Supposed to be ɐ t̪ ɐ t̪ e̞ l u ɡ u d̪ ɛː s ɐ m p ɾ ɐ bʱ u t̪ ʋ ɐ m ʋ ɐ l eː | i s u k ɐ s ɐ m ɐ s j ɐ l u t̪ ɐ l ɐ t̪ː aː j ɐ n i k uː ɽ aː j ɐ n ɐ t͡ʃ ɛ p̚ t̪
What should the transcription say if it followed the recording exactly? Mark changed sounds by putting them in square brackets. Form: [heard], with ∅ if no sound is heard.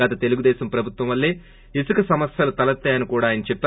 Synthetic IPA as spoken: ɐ t̪ ɐ t̪ e̞ l u ɡ u d̪ ɛː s ɐ m p ɾ ɐ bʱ u t̪ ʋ ɐ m ʋ ɐ [lː] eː | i s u k ɐ s ɐ m ɐ s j ɐ l u t̪ ɐ l ɐ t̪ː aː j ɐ n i k uː ɽ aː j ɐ n ɐ t͡ʃ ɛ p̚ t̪